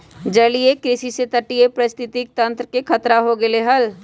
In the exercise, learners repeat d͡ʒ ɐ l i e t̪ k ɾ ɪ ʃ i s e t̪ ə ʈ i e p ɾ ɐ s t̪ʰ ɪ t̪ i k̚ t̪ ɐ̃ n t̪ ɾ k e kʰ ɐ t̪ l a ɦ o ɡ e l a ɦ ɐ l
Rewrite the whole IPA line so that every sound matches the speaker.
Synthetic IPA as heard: d͡ʒ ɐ l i e k ɾ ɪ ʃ i s e t̪ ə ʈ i e p ɾ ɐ s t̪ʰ ɪ t̪ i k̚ t̪ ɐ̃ n t̪ ɾ k e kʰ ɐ t̪ ɾ a ɦ o ɡ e l e ɦ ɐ l